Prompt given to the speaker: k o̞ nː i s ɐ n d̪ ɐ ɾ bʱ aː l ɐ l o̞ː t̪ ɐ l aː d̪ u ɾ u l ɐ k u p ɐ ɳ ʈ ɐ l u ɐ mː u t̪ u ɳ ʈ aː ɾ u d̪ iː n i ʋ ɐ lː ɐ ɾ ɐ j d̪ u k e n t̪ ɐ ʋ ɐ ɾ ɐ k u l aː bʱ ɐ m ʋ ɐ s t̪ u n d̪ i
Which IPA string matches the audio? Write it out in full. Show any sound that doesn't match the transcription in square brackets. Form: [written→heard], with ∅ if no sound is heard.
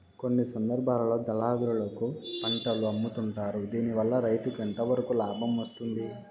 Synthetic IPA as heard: k o̞ nː i s ɐ n d̪ ɐ ɾ bʱ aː l ɐ l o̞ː [t̪→d̪] ɐ l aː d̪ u ɾ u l ɐ k u p ɐ ɳ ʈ ɐ l u ɐ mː u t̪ u ɳ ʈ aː ɾ u d̪ iː n i ʋ ɐ lː ɐ ɾ ɐ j [d̪→t̪] u k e n t̪ ɐ ʋ ɐ ɾ ɐ k u l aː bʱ ɐ m ʋ ɐ s t̪ u n d̪ i